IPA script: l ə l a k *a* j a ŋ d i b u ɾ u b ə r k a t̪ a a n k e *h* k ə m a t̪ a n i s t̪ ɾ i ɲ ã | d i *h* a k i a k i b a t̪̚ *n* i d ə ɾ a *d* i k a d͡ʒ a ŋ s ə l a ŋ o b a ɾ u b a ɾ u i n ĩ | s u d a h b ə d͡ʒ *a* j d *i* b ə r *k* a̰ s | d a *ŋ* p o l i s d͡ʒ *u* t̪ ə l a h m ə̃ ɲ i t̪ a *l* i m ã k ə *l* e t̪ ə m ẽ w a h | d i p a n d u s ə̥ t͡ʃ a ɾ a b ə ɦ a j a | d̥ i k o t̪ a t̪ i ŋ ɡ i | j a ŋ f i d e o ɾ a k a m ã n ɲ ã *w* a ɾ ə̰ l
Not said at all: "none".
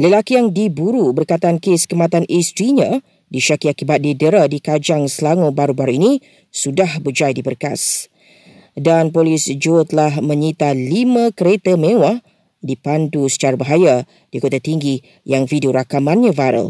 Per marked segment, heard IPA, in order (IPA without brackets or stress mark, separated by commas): i, s, ʃ, d, d, a, i, k, n, o, l, ɾ, v